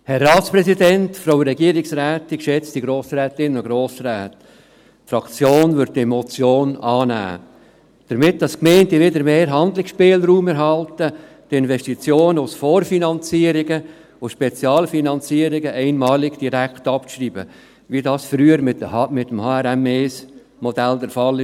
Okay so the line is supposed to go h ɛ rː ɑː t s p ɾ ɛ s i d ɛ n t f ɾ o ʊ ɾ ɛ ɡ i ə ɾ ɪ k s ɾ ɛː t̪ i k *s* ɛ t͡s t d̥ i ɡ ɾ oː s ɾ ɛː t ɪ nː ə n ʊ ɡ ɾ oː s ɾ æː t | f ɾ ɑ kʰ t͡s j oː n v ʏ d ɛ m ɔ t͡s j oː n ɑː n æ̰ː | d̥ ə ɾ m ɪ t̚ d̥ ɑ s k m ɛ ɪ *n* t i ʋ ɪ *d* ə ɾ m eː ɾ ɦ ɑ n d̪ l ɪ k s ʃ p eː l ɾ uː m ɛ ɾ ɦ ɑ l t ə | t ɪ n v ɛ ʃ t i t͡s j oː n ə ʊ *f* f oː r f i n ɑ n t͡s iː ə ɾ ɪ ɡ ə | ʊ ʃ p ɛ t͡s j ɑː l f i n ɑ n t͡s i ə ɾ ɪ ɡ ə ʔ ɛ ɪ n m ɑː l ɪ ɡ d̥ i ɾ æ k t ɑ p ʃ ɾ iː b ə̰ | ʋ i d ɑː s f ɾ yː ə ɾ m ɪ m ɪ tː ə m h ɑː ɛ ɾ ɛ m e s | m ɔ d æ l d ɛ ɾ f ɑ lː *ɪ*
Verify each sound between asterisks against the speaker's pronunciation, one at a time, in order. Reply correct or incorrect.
incorrect, correct, correct, incorrect, correct

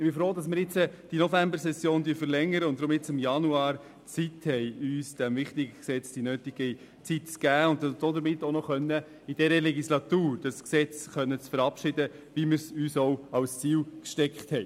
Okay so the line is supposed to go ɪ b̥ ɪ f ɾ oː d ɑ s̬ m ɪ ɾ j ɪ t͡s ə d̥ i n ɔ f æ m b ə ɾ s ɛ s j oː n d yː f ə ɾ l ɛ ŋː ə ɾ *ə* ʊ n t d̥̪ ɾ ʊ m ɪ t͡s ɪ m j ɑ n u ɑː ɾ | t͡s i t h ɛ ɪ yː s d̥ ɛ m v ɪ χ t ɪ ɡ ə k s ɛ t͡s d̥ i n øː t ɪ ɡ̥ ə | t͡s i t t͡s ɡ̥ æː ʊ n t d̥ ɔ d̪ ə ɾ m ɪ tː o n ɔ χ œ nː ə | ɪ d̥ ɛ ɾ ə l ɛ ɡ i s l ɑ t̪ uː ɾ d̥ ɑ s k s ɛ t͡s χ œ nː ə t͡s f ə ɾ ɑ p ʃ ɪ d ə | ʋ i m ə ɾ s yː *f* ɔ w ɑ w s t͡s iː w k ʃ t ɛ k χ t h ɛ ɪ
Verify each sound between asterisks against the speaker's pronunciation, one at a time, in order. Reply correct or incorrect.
correct, incorrect

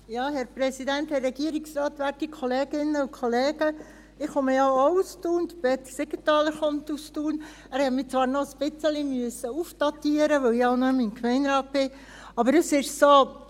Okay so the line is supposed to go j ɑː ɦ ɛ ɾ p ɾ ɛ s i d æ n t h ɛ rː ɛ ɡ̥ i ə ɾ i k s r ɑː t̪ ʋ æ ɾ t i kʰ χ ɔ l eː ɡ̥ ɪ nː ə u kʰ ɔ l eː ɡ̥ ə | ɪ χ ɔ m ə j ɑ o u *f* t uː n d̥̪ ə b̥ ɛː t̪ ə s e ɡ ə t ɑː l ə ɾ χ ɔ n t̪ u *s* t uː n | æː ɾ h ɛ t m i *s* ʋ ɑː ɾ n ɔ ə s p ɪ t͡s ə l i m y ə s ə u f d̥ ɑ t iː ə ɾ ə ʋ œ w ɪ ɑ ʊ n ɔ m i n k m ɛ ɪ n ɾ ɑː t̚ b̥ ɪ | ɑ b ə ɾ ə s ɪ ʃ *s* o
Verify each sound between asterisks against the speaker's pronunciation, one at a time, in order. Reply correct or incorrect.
incorrect, correct, incorrect, correct

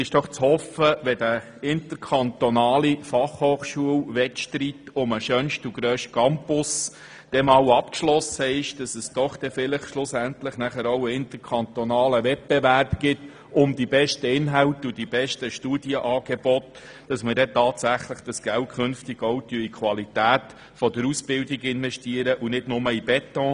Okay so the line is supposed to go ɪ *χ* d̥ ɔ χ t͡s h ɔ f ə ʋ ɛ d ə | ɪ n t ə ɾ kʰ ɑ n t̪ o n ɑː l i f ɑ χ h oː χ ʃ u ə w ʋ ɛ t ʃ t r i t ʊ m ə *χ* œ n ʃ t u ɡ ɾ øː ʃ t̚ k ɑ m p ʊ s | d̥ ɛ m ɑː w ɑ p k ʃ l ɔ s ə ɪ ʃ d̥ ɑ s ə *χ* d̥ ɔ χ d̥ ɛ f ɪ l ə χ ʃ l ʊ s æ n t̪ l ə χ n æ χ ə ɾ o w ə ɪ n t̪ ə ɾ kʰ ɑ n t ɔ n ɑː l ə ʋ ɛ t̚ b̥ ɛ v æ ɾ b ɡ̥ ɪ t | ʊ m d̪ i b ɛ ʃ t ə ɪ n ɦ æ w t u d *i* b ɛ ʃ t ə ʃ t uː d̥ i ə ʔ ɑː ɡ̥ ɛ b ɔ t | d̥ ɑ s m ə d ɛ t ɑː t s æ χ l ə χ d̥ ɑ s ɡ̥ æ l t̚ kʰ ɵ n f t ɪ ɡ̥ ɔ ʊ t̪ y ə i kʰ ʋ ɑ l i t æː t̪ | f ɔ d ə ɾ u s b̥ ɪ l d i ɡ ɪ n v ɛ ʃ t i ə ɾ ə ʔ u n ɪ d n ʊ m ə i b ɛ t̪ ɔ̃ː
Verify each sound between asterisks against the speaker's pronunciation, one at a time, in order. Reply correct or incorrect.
incorrect, incorrect, incorrect, correct

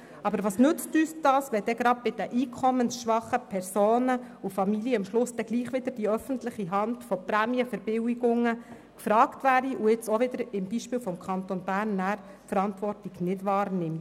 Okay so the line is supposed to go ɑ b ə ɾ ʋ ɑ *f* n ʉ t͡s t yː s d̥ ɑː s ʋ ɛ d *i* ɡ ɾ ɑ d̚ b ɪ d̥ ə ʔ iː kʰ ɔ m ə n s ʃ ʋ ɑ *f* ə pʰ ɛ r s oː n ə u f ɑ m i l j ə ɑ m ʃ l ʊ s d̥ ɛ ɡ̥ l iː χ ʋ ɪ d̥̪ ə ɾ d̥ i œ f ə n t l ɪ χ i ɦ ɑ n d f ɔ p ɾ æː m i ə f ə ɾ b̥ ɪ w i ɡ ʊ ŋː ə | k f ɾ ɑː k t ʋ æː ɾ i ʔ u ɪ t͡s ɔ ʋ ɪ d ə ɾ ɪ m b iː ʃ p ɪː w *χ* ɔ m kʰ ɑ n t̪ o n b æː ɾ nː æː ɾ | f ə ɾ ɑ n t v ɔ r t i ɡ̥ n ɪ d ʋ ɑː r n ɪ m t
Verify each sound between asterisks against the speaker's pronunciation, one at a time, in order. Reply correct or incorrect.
incorrect, incorrect, incorrect, incorrect

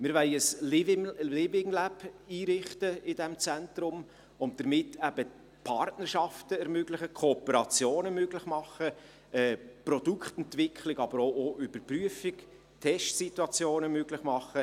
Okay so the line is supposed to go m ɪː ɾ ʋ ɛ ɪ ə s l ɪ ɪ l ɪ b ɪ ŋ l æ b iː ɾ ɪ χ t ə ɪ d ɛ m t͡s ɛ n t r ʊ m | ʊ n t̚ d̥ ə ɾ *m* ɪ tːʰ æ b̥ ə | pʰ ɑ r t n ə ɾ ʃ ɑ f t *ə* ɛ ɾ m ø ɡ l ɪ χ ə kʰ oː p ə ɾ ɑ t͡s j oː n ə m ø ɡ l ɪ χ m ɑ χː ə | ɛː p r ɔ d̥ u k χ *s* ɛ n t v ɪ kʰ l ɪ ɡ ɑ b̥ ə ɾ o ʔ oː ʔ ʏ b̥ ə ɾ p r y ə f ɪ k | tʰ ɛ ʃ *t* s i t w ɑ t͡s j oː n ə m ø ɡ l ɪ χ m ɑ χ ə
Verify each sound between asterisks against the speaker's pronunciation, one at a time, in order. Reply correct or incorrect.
correct, correct, incorrect, correct

